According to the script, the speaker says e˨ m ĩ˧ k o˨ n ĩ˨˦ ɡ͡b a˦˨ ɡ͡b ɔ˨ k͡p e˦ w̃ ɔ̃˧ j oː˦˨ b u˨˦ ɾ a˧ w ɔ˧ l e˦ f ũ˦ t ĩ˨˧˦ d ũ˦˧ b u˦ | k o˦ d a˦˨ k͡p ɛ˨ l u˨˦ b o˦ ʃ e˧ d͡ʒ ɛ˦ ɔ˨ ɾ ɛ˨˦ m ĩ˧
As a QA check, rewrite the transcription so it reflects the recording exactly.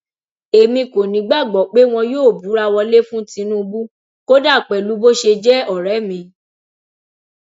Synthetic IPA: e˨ m ĩ˧ k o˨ n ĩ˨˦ ɡ͡b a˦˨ ɡ͡b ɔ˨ k͡p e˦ w̃ ɔ̃˧ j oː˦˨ b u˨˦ ɾ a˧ w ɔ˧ l e˦ f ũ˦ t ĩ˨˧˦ n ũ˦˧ b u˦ | k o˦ d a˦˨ k͡p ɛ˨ l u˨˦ b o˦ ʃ e˧ d͡ʒ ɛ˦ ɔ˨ ɾ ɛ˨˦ m ĩ˧

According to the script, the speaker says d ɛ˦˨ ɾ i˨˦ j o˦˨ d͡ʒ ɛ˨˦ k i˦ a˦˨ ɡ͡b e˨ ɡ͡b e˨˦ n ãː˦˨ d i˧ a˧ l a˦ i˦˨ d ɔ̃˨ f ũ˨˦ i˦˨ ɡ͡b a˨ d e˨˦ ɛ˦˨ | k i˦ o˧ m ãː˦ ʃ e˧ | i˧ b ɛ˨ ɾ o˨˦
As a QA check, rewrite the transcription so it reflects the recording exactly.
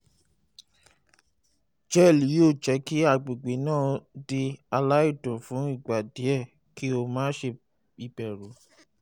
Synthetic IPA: d͡ʒ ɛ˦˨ l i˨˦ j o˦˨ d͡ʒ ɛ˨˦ k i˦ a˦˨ ɡ͡b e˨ ɡ͡b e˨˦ n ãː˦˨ d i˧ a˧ l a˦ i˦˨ d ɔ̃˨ f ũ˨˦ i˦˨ ɡ͡b a˨ d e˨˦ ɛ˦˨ | k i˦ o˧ m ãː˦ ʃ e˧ | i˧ b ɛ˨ ɾ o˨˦

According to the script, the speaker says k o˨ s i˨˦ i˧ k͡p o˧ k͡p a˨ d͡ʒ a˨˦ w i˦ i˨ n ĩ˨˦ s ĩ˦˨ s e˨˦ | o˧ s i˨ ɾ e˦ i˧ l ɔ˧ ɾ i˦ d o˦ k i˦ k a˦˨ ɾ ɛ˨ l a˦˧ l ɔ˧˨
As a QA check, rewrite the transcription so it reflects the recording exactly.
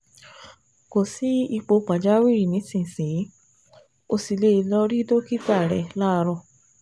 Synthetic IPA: k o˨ s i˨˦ i˧ k͡p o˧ k͡p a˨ d͡ʒ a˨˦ w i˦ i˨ n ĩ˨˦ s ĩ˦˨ s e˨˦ | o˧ s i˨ l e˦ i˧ l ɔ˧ ɾ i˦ d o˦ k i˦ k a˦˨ ɾ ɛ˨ l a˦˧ ɾ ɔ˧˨

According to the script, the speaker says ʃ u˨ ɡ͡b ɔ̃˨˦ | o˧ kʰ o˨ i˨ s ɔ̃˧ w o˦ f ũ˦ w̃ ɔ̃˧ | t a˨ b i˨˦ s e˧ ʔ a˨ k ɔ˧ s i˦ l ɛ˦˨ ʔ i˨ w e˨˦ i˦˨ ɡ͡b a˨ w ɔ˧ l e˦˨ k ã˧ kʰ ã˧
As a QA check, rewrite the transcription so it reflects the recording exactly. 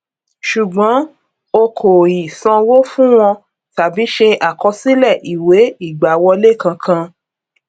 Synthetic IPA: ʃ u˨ ɡ͡b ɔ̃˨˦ | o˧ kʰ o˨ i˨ s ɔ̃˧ w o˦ f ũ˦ w̃ ɔ̃˧ | t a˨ b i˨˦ ʃ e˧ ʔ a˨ k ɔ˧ s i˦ l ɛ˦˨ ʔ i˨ w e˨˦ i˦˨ ɡ͡b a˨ w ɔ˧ l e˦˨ k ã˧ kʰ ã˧

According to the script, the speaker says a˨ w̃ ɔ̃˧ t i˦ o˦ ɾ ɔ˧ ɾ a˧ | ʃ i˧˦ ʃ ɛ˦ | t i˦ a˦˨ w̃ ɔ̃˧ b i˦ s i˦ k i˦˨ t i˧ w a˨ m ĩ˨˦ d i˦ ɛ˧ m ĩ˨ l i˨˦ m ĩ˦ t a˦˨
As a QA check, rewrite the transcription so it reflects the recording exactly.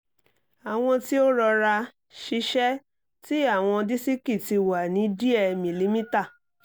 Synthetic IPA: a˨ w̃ ɔ̃˧ t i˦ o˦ ɾ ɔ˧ ɾ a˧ | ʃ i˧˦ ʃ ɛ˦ | t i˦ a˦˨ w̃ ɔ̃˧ d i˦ s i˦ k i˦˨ t i˧ w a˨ n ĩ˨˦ d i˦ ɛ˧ m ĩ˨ l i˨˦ m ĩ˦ t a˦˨

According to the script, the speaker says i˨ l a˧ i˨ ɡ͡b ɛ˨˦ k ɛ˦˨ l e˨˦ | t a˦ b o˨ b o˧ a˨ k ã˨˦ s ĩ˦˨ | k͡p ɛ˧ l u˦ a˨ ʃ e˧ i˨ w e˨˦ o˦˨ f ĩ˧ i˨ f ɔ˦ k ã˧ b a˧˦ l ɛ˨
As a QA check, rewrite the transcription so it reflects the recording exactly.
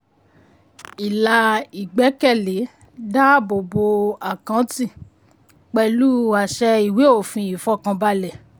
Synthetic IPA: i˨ l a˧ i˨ ɡ͡b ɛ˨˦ k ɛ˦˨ l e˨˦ | d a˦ b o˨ b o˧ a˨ k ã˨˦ t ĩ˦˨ | k͡p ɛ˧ l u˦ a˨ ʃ ɛ˧ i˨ w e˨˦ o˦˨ f ĩ˧ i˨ f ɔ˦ k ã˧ b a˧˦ l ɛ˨

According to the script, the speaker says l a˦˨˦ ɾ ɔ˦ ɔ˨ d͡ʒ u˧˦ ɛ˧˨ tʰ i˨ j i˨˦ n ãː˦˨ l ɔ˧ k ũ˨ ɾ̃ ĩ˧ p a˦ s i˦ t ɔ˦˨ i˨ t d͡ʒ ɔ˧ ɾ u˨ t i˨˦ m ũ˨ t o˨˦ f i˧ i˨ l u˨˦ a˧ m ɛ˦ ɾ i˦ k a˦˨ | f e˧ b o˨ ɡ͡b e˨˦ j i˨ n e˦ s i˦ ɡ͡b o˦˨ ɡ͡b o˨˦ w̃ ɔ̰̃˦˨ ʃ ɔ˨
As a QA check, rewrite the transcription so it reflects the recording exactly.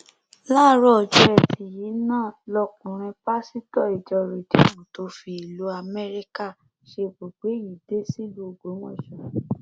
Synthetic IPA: l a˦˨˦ ɾ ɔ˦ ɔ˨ d͡ʒ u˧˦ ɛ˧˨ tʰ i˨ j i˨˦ n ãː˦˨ l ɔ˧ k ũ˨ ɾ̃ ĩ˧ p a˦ s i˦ t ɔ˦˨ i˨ d͡ʒ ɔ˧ ɾ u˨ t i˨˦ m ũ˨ t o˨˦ f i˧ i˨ l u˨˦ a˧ m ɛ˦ ɾ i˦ k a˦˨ | ʃ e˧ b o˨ ɡ͡b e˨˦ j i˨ d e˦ s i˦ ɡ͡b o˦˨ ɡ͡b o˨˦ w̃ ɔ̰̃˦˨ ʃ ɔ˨

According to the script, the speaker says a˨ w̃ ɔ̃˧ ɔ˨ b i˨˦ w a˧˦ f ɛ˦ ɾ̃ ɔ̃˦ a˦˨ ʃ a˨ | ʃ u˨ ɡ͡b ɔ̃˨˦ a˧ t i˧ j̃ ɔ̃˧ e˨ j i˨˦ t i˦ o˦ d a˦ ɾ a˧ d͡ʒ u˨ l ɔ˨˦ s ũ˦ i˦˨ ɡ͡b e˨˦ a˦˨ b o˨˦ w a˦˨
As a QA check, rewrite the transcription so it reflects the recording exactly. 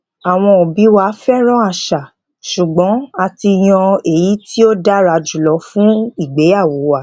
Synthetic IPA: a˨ w̃ ɔ̃˧ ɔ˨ b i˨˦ w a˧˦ f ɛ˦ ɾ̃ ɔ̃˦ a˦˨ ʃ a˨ | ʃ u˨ ɡ͡b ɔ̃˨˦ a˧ t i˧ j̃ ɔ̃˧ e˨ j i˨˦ t i˦ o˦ d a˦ ɾ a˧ d͡ʒ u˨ l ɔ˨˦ f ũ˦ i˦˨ ɡ͡b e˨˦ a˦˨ w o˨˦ w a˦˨

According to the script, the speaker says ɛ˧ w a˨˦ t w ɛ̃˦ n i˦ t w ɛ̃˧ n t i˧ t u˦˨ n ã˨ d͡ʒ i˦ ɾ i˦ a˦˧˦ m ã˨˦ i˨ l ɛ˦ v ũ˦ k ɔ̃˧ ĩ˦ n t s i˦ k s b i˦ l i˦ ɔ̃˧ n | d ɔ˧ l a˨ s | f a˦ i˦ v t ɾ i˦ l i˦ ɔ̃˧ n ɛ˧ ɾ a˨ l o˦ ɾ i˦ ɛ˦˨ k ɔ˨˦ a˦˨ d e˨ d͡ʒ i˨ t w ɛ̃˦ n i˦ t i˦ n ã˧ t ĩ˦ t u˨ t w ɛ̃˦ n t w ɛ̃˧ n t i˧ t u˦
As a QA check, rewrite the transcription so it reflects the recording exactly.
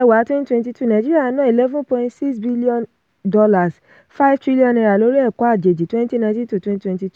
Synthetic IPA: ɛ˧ w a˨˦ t w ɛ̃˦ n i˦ t w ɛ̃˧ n t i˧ t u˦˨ n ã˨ d͡ʒ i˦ ɾ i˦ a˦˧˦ n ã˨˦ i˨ l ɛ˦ v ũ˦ p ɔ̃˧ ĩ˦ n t s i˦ k s b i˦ l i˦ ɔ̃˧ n | d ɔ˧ l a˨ s | f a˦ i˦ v t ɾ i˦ l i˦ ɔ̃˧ n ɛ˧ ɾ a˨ l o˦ ɾ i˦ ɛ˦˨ k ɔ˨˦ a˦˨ d͡ʒ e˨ d͡ʒ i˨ t w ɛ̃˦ n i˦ t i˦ n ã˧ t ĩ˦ t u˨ t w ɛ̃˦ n t w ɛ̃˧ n t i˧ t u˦

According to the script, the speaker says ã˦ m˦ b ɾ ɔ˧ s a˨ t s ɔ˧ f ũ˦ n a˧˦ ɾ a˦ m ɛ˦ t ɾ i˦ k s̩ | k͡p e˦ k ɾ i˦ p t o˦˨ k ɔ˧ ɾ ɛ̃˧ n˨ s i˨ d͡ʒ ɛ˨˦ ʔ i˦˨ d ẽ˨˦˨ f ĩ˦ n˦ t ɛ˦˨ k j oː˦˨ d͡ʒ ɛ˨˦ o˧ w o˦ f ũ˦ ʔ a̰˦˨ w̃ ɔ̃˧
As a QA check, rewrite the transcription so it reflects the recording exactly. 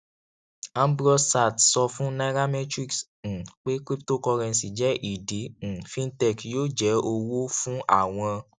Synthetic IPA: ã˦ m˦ b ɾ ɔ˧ s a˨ t s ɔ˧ f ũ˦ n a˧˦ ɾ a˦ m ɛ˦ t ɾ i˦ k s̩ | k͡p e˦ k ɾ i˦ p t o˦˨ k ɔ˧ ɾ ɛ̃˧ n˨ s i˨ d͡ʒ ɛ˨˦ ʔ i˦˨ d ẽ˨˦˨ f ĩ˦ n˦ t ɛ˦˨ k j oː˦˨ d͡ʒ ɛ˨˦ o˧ w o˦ f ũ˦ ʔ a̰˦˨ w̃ ɔ̃˧

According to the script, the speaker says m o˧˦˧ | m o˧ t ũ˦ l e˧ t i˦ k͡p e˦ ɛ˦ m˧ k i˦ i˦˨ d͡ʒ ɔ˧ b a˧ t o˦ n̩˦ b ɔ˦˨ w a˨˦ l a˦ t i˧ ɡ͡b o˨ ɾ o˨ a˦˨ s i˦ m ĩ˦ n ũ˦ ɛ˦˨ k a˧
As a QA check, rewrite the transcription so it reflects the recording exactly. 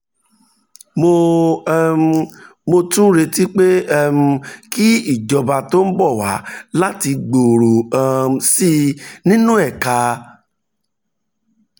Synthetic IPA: m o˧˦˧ | m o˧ t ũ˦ ɾ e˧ t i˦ k͡p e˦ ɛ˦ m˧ k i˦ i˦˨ d͡ʒ ɔ˧ b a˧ t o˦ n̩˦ b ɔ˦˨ w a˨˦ l a˦ t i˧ ɡ͡b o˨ ɾ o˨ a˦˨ s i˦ n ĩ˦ n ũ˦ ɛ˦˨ k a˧

